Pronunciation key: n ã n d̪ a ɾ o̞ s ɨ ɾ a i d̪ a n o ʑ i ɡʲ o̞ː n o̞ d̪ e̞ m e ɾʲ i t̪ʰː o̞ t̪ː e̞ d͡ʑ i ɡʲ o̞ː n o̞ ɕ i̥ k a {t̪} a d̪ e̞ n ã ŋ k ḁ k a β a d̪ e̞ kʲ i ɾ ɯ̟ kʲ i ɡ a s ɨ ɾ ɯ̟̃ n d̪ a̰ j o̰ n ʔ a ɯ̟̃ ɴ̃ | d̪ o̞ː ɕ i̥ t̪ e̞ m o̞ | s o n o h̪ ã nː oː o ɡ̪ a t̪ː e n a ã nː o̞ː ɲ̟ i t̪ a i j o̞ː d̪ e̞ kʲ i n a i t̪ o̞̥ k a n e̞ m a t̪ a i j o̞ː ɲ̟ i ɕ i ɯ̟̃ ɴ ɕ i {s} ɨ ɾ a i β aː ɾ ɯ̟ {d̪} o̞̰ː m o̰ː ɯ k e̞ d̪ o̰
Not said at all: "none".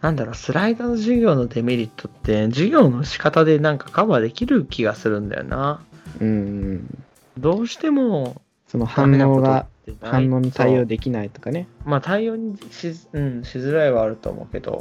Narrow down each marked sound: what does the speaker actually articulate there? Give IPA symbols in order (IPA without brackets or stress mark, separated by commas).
t̪, z, t̪